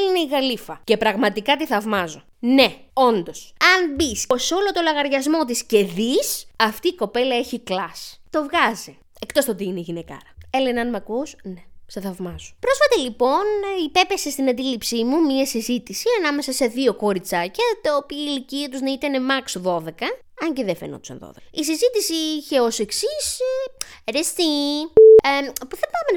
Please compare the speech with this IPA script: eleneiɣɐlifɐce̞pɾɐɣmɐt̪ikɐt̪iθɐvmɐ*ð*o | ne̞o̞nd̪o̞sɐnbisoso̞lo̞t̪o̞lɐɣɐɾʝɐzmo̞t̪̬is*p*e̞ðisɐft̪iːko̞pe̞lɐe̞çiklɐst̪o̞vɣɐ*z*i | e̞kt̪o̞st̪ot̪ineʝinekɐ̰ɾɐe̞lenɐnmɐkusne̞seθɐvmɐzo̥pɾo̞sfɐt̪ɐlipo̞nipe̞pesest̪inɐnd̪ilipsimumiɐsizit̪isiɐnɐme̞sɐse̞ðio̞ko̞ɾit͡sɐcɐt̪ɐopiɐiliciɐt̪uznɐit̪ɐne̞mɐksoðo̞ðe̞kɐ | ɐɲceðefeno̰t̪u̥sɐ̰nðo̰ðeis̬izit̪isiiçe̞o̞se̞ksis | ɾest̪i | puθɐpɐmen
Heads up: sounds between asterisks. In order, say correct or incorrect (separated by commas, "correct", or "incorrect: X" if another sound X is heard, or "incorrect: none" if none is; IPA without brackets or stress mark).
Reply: incorrect: z, incorrect: c, correct